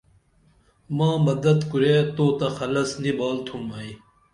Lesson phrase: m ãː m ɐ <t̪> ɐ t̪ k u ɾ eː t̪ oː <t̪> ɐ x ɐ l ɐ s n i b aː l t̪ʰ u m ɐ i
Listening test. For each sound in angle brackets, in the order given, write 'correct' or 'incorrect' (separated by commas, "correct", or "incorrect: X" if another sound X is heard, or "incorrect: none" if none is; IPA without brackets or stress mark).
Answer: incorrect: d̪, correct